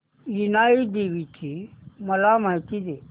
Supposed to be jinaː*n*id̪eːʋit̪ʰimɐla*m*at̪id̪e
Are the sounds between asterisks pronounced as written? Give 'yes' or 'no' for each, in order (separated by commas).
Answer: no, yes